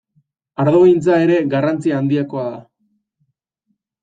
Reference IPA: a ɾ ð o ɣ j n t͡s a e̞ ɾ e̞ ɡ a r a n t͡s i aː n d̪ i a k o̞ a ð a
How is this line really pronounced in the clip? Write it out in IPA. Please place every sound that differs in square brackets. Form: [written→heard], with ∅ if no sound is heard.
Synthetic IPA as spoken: a ɾ ð o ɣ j n t͡s a e̞ ɾ e̞ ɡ a r a n t͡s i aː n d̪ i a k o̞ a ð a

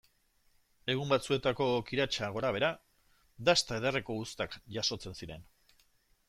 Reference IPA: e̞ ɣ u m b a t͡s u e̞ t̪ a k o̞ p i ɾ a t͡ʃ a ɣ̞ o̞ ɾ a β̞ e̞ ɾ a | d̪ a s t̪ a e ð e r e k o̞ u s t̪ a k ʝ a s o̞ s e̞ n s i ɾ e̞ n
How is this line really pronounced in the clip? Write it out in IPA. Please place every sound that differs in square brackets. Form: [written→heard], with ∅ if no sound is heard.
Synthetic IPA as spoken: e̞ ɣ u m b a t͡s u e̞ t̪ a k o̞ [p→k] i ɾ a t͡ʃ a ɣ̞ o̞ ɾ a β̞ e̞ ɾ a | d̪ a s t̪ a e ð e r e k o̞ u s t̪ a k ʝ a s o̞ [s→t͡s] e̞ n s i ɾ e̞ n

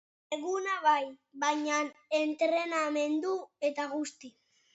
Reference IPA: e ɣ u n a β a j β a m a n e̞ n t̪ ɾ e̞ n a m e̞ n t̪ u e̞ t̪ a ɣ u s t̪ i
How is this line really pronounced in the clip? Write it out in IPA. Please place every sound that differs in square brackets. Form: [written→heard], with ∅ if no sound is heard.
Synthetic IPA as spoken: e ɣ u n a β a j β a [m→ɲ] a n e̞ n t̪ ɾ e̞ n a m e̞ n [t̪→d̪] u e̞ t̪ a ɣ u s t̪ i

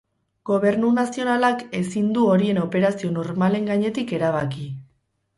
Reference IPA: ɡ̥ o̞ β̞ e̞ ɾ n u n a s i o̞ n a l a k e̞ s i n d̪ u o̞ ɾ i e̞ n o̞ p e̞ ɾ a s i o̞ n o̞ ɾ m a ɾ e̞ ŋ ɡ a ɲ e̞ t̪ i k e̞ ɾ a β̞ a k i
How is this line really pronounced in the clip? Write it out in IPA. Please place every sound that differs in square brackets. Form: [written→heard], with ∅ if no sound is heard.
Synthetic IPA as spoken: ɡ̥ o̞ β̞ e̞ ɾ n u n a s i o̞ n a l a k e̞ s i n d̪ u o̞ ɾ i e̞ n o̞ p e̞ ɾ a s i o̞ n o̞ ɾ m a [ɾ→l] e̞ ŋ ɡ a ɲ e̞ t̪ i k e̞ ɾ a β̞ a k i

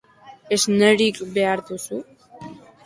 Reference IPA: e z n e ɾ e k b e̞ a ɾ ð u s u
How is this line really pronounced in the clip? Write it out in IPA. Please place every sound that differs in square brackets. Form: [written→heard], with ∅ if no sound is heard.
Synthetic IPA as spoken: e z n e ɾ [e→i] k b e̞ a ɾ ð u s u

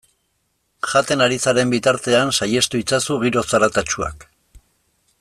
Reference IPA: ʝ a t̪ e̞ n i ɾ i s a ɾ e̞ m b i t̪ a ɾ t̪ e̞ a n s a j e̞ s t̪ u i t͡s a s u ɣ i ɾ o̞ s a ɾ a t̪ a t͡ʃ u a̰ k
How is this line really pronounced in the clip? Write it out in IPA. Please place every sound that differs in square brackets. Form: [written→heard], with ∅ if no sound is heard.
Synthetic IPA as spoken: ʝ a t̪ e̞ n [i→a] ɾ i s a ɾ e̞ m b i t̪ a ɾ t̪ e̞ a n s a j e̞ s t̪ u i t͡s a s u ɣ i ɾ o̞ s a ɾ a t̪ a t͡ʃ u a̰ k

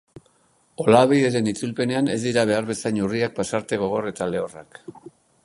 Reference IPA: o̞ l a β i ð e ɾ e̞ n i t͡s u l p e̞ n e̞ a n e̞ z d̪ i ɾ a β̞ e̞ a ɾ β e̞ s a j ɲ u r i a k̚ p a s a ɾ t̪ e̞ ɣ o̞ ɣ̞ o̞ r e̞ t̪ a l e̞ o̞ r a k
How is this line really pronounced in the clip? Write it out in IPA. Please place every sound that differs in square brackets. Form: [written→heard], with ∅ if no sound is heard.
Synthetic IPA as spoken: o̞ l a β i ð e ɾ e̞ n i t͡s u l p e̞ n e̞ a n e̞ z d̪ i ɾ a β̞ e̞ a ɾ β e̞ s a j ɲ u r i a k̚ p a s a ɾ t̪ e̞ ɣ o̞ ɣ̞ o̞ r e̞ t̪ a l e̞ o̞ r a k

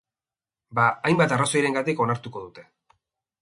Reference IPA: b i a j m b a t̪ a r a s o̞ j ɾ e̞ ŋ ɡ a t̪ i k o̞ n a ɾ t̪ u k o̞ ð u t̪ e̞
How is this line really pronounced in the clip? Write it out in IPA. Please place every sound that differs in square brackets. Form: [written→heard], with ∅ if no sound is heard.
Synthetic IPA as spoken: b [i→a] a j m b a t̪ a r a s o̞ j ɾ e̞ ŋ ɡ a t̪ i k o̞ n a ɾ t̪ u k o̞ ð u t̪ e̞

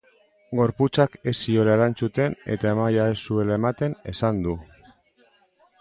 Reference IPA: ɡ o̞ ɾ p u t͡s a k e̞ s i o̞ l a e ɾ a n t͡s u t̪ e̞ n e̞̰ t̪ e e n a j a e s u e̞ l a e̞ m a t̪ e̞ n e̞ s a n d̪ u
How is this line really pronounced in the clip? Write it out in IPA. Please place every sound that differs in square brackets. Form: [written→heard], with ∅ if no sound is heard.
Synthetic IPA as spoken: ɡ o̞ ɾ p u t͡s a k e̞ s i o̞ l a e ɾ a n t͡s u t̪ e̞ n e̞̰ t̪ [e→a] e [n→m] a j a e s u e̞ l a e̞ m a t̪ e̞ n e̞ s a n d̪ u

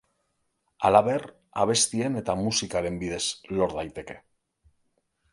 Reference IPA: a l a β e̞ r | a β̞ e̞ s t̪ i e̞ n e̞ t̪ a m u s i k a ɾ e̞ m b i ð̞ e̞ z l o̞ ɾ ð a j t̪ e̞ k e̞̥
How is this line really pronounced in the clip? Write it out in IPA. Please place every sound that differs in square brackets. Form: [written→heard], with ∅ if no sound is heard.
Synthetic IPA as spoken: a l a β e̞ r | a β̞ e̞ s t̪ i e̞ n e̞ t̪ a m u s i k a ɾ e̞ m b i ð̞ e̞ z l o̞ ɾ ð a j t̪ e̞ k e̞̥

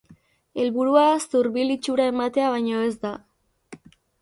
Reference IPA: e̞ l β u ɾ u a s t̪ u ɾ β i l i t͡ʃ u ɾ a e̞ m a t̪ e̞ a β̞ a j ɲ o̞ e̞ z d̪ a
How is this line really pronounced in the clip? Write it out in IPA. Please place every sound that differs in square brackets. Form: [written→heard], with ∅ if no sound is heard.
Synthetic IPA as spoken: e̞ l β u ɾ u a s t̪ u ɾ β i l i t͡ʃ u ɾ a e̞ m a t̪ e̞ a β̞ a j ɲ o̞ e̞ z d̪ a

